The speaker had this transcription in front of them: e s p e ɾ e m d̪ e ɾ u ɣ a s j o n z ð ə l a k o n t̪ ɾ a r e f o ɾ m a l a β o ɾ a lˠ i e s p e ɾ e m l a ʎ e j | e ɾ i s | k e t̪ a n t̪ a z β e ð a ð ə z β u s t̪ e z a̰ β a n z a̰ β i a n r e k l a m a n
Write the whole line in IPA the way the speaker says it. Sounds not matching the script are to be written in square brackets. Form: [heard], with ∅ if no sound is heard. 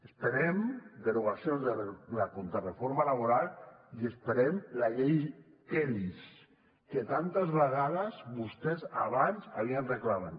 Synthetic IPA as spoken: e s p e ɾ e m d̪ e ɾ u ɣ a s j o n z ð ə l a k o n t̪ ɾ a r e f o ɾ m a l a β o ɾ a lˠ i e s p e ɾ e m l a ʎ e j | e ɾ i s | k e t̪ a n t̪ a z β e [ɣ] a ð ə z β u s t̪ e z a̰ β a n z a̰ β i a n r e k l a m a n